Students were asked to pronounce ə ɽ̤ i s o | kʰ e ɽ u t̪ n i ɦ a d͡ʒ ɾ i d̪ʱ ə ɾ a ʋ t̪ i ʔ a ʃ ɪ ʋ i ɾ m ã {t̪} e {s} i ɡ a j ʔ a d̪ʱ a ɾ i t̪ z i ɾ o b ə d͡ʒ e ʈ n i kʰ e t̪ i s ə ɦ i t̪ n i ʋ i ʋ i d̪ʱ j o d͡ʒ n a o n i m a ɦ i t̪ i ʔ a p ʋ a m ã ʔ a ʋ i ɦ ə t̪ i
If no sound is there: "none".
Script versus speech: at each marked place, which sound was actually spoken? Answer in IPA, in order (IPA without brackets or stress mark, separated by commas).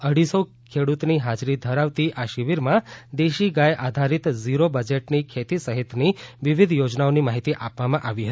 d̪, ʃ